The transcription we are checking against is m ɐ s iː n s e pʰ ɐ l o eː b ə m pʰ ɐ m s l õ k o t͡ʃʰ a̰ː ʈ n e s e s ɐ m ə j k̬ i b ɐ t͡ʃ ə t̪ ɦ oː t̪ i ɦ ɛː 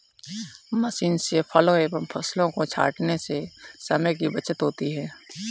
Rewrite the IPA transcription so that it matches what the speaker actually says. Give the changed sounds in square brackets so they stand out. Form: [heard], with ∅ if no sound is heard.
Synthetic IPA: m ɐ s iː n s e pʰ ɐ l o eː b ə m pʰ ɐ [∅] s l õ k o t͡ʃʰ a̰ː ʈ n e s e s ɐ m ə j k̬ i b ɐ t͡ʃ ə t̪ ɦ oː t̪ i ɦ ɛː